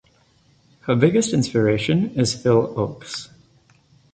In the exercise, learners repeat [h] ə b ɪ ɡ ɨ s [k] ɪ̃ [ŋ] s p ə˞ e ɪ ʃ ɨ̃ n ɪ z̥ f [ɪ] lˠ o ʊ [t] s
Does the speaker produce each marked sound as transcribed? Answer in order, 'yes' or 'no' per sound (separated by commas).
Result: yes, no, no, yes, no